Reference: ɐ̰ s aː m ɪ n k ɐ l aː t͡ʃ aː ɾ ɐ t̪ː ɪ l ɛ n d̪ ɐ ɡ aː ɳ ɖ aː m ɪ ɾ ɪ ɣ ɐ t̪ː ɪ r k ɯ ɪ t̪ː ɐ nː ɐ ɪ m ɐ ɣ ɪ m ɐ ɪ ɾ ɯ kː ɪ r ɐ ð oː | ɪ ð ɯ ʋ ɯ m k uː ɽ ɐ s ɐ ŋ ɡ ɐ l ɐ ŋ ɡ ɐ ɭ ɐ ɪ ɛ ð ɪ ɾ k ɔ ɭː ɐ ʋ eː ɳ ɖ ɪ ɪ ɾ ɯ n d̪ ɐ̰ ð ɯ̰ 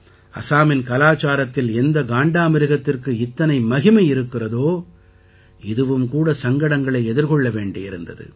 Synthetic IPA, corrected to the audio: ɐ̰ s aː m ɪ n k ɐ l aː t͡ʃ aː ɾ ɐ t̪ː ɪ l ɛ n d̪ ɐ ɡ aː ɳ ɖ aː m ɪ ɾ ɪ ɣ ɐ t̪ː ɪ r k ɯ ɪ t̪ː ɐ n ɐ ɪ m ɐ ɣ ɪ m ɐ ɪ ɾ ɯ kː ɪ r ɐ ð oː | ɪ ð ɯ ʋ ɯ m k uː ɽ ɐ s ɐ ŋ ɡ ɐ ɽ ɐ ŋ ɡ ɐ ɭ ɐ ɪ ɛ ð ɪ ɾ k ɔ ɭː ɐ ʋ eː ɳ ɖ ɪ ɪ ɾ ɯ n d̪ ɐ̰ ð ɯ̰